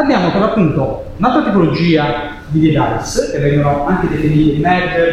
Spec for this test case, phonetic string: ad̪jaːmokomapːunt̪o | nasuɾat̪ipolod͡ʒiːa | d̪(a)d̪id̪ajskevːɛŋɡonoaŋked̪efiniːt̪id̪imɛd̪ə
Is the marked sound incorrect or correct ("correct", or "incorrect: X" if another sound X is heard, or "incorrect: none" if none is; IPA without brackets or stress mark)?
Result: incorrect: i